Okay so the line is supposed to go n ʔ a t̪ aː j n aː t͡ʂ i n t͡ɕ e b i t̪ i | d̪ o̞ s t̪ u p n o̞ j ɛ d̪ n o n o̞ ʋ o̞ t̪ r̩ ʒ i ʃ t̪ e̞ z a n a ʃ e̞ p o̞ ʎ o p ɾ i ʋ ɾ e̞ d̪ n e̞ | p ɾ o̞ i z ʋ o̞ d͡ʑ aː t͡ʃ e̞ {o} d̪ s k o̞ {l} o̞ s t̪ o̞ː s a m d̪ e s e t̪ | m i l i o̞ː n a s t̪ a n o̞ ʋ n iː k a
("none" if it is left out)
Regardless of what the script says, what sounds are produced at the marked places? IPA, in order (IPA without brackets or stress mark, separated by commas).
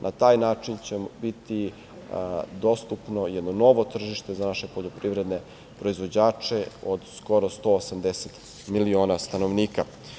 o, ɾ